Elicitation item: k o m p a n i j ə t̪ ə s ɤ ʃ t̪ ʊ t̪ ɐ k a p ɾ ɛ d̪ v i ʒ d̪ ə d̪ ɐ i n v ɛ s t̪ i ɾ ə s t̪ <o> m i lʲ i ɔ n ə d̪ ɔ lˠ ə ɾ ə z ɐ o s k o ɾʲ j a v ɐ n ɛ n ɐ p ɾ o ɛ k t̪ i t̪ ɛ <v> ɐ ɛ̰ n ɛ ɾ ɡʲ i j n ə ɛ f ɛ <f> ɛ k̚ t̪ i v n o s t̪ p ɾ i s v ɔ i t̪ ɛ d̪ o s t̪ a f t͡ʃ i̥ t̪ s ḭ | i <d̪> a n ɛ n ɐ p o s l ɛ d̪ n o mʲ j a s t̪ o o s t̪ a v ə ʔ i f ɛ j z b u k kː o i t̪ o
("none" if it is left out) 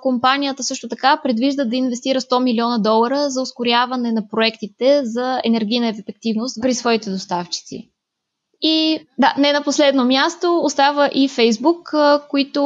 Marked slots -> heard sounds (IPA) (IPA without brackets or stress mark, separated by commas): ɔ, z, f, d̪